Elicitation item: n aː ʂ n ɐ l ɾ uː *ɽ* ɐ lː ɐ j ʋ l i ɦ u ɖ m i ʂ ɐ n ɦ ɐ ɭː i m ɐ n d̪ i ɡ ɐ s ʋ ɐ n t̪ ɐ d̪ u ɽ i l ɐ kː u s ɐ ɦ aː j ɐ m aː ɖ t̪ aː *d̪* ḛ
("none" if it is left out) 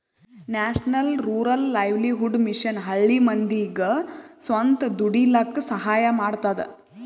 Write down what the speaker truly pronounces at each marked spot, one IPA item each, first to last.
ɾ, d̪

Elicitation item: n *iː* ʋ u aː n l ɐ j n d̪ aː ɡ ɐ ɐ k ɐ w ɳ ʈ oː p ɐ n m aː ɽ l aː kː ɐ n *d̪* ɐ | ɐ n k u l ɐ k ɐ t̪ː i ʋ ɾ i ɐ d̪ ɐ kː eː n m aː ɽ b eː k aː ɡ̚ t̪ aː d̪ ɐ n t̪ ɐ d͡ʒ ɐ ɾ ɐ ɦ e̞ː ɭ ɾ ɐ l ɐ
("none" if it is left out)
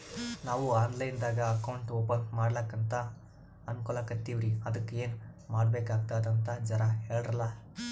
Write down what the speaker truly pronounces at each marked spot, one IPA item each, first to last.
aː, t̪

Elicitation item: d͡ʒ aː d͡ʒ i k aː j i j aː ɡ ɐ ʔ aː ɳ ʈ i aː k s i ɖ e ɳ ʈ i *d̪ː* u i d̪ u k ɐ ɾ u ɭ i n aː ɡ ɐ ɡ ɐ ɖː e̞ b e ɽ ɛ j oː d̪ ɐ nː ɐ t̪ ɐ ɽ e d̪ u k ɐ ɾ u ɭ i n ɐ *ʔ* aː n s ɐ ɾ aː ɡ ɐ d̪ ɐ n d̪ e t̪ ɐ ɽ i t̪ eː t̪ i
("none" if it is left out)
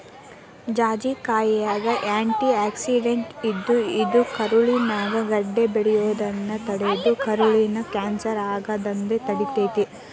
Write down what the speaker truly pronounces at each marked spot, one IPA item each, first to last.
d̪ː, k

